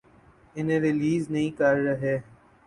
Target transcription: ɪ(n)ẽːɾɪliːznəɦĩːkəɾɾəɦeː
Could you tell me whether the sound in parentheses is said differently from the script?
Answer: no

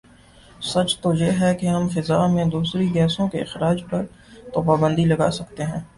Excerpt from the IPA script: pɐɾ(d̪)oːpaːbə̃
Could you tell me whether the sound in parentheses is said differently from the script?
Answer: yes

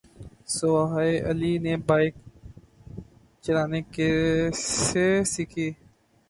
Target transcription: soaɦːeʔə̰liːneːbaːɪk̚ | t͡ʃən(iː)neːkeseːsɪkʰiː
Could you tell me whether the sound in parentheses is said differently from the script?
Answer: yes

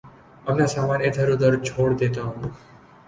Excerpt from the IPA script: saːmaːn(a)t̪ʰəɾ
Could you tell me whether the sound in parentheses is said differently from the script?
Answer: yes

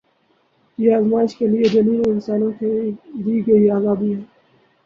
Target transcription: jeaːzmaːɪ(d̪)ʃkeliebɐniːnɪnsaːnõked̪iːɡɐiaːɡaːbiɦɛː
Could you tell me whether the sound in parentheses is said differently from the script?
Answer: yes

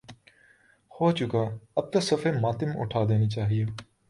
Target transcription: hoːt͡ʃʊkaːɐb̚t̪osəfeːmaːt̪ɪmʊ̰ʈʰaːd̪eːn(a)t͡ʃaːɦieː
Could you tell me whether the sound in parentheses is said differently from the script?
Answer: yes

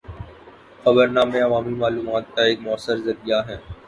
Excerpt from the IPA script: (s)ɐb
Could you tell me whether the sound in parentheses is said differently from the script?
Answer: yes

